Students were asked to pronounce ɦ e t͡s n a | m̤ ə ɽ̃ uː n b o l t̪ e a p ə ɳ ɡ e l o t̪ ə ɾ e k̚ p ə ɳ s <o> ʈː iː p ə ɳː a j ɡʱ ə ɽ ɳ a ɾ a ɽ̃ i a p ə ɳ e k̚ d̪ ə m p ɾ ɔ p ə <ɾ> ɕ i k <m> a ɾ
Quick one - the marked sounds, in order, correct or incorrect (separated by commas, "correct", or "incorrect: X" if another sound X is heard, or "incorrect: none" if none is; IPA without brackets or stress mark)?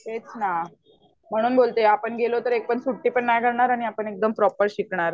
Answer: incorrect: u, correct, incorrect: ɳ